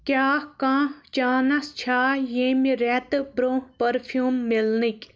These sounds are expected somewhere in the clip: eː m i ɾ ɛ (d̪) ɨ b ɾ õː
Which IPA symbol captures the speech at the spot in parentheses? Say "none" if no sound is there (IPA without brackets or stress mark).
t̪